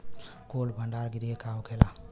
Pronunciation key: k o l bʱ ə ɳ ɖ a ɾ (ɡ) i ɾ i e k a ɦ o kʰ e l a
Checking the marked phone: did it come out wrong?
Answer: no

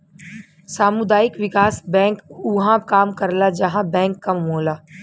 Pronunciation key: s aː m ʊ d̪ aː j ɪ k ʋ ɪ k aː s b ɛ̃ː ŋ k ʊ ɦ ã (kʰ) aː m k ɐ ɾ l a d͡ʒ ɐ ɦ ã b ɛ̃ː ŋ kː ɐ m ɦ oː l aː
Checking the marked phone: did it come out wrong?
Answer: yes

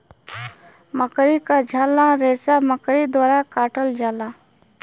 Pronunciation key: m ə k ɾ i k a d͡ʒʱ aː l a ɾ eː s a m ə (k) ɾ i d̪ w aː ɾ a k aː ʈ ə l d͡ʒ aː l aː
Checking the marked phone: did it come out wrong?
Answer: no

